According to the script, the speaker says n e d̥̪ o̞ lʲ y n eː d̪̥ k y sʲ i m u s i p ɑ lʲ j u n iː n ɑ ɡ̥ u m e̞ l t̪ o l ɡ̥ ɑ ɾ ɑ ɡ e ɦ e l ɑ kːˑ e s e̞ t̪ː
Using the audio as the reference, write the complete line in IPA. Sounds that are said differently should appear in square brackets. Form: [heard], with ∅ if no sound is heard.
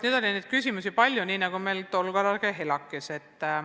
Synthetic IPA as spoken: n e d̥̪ o̞ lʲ [i] n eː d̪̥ k y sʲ i m u s i p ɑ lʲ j u n iː n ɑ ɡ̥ u m e̞ l t̪ o l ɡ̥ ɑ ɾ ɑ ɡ e ɦ e l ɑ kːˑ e s e̞ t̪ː